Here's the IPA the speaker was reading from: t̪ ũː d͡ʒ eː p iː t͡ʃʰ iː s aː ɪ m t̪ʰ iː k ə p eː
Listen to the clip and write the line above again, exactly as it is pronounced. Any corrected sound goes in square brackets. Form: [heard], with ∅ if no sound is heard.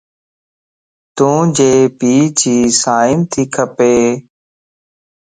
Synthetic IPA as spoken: t̪ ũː d͡ʒ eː p iː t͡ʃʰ iː s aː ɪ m t̪ʰ iː [kʰ] ə p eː